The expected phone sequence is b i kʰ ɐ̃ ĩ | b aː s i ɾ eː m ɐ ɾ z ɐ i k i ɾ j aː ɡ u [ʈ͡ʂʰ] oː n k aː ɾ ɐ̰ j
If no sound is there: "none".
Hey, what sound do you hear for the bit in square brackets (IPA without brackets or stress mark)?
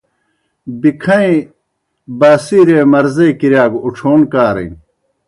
ʈ͡ʂʰ